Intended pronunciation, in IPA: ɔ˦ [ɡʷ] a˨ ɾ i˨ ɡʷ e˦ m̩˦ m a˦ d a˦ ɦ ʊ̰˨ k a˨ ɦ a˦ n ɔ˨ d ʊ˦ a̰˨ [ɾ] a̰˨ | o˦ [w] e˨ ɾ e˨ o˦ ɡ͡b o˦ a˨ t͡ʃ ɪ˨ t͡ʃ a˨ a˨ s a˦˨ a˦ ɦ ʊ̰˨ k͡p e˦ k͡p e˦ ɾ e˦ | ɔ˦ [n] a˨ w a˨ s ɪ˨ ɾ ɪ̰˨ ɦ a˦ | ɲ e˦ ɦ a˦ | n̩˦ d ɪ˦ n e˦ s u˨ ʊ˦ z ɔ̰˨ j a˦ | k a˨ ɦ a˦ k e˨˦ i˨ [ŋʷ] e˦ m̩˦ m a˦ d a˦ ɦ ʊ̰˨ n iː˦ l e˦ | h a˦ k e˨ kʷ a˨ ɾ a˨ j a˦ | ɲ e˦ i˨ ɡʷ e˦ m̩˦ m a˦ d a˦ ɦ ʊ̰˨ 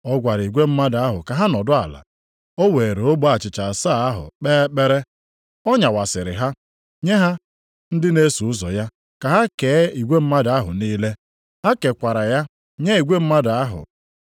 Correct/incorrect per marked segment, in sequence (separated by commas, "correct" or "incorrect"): correct, incorrect, correct, incorrect, incorrect